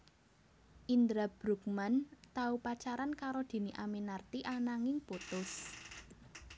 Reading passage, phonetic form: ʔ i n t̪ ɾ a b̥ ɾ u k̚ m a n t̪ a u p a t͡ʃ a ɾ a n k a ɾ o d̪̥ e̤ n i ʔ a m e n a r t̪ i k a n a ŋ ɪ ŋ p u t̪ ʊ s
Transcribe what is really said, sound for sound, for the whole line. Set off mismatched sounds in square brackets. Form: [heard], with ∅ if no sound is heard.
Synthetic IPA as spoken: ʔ i n [d̪] ɾ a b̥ ɾ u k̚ m a n t̪ a u p a t͡ʃ a ɾ a n k a ɾ o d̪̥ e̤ n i ʔ a m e n a r t̪ i [ʔ] a n a ŋ ɪ ŋ p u t̪ ʊ s